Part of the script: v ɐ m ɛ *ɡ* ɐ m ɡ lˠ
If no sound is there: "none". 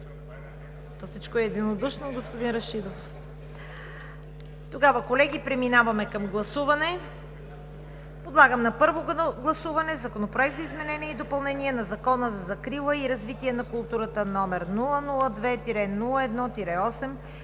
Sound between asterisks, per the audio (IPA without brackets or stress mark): k